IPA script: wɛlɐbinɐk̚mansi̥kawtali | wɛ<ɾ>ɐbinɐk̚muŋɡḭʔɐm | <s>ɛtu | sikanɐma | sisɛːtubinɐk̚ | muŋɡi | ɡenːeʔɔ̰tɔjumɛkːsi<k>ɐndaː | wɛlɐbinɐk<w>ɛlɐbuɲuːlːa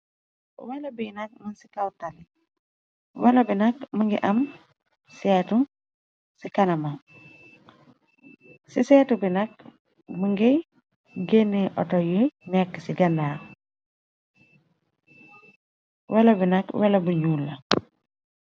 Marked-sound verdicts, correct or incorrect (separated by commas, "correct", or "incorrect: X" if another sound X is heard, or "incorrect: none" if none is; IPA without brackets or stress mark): incorrect: l, correct, incorrect: ɡ, correct